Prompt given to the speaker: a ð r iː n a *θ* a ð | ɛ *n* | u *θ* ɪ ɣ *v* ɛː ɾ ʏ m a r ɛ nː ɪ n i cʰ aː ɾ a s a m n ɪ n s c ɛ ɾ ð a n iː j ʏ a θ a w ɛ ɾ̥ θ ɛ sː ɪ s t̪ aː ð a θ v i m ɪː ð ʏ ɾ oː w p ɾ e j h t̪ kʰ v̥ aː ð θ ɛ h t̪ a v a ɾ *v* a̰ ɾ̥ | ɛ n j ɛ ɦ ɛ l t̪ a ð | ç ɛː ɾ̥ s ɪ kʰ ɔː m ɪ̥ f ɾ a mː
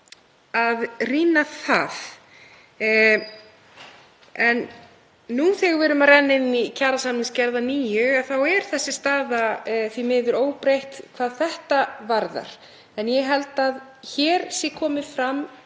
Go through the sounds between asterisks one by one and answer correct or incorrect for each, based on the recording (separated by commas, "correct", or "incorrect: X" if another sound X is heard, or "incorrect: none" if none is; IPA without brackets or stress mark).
correct, incorrect: nː, correct, correct, incorrect: ð